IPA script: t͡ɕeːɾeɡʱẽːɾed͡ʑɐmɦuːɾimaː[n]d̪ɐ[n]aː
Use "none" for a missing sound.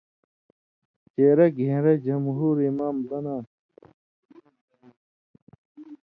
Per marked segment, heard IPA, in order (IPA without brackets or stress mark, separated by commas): m, n